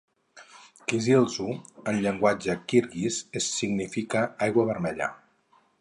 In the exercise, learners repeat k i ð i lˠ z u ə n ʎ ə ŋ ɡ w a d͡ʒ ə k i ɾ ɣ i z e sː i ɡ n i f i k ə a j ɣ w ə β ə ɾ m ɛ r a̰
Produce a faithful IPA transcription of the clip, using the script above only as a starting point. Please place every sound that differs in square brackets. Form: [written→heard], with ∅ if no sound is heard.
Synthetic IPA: k i [ð→z] i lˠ z u ə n ʎ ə ŋ ɡ w a d͡ʒ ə k i ɾ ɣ i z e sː i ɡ n i f i k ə a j ɣ w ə β ə ɾ m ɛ [r→ʎ] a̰

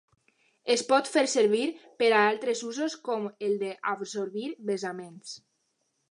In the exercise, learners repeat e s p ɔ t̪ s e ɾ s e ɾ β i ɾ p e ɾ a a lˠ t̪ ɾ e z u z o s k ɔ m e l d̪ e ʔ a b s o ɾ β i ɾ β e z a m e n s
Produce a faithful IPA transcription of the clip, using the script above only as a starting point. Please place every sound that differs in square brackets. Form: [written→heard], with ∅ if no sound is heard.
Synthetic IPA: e s p ɔ t̪ [s→f] e ɾ s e ɾ β i ɾ p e ɾ a a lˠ t̪ ɾ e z u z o s k ɔ m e l d̪ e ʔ a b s o ɾ β i ɾ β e z a m e n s

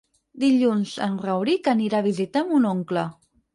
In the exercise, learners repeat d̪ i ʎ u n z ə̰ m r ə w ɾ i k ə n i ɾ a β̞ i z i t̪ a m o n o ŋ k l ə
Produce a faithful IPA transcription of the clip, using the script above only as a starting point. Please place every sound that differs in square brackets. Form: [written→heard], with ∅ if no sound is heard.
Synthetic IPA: d̪ i ʎ u n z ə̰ [m→n] r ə w ɾ i k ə n i ɾ a β̞ i z i t̪ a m [o→u] n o ŋ k l ə

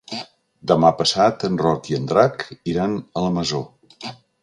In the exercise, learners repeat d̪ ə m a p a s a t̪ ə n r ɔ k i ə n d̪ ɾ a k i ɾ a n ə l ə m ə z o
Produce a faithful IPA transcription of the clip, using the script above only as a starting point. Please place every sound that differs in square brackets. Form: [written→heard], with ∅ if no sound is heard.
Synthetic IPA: d̪ ə m a p [a→ə] s a t̪ ə n r ɔ k i ə n d̪ ɾ a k i ɾ a n ə l ə m ə z o

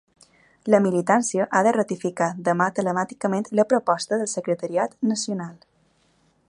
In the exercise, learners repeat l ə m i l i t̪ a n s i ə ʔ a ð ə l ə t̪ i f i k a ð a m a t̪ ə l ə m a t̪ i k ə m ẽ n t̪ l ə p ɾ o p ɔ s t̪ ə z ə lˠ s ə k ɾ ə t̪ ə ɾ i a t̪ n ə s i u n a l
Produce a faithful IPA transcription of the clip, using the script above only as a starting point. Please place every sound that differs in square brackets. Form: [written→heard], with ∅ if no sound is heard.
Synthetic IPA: l ə m i l i t̪ a n s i ə ʔ a ð ə [l→r] ə t̪ i f i k a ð [a→ə] m a t̪ ə l ə m a t̪ i k ə m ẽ n t̪ l ə p ɾ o p ɔ s t̪ ə [z→ð] ə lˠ s ə k ɾ ə t̪ ə ɾ i a t̪ n ə s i u n a l

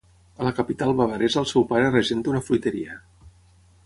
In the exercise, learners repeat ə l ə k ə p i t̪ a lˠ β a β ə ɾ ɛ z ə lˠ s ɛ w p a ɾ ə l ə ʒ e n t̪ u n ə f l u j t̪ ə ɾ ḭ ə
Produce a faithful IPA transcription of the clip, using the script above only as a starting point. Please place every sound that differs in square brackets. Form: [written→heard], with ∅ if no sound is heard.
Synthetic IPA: ə l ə k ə p i t̪ a lˠ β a β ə ɾ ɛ z ə lˠ s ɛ w p a ɾ ə [l→r] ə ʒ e n t̪ u n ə f l u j t̪ ə ɾ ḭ ə

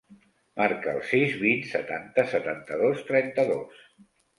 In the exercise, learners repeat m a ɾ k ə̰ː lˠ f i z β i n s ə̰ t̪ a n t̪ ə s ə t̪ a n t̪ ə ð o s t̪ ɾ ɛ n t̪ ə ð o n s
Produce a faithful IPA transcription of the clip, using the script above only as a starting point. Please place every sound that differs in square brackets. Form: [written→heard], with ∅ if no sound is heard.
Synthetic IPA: m a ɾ k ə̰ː lˠ [f→s] i z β i n s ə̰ t̪ a n t̪ ə s ə t̪ a n t̪ ə ð o s t̪ ɾ ɛ n t̪ ə ð o [n→∅] s

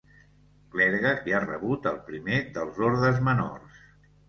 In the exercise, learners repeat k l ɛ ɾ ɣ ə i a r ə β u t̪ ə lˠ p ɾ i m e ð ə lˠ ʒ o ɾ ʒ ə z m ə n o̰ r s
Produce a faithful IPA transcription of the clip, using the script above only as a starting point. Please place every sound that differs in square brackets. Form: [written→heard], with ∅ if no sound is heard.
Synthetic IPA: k l ɛ ɾ ɣ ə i a r ə β u t̪ ə lˠ p ɾ i m e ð ə lˠ [ʒ→z] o ɾ [ʒ→ð] ə z m ə n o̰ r s

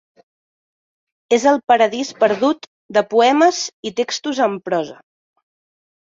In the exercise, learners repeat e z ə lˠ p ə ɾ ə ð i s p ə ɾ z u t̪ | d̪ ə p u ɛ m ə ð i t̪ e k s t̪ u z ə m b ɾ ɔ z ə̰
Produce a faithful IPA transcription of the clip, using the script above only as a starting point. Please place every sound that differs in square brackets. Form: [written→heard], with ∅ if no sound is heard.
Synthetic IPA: e z ə lˠ p ə ɾ ə ð i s p ə ɾ [z→ð] u t̪ | d̪ ə p u ɛ m ə [ð→z] i t̪ e k s t̪ u z ə m [b→p] ɾ ɔ z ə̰

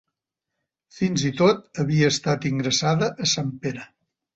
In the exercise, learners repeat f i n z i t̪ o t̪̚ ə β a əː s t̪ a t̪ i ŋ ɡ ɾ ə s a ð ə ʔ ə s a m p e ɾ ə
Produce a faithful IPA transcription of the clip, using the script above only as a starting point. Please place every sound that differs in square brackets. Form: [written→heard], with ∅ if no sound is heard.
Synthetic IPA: f i n z i t̪ o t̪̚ ə β [a→i] əː s t̪ a t̪ i ŋ ɡ ɾ ə s a ð ə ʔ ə s a m p e ɾ ə

